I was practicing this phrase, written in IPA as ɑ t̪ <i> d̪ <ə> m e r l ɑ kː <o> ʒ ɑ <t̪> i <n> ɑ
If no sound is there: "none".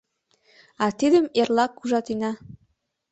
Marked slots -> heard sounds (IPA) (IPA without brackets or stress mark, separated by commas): i, ə, u, t̪, n